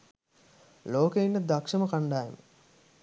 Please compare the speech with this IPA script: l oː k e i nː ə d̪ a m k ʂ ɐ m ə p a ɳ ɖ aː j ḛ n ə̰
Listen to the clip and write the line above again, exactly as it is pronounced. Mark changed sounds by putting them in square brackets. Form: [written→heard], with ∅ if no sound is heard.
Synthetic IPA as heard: l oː k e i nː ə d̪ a [m→∅] k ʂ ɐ m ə [p→k] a ɳ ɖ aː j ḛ [n→m] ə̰